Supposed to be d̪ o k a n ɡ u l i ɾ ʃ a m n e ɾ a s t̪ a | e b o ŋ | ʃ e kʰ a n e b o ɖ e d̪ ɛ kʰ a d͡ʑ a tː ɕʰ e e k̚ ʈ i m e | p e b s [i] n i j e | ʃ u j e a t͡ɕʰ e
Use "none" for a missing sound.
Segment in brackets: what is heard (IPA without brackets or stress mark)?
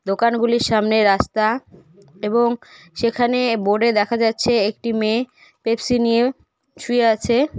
i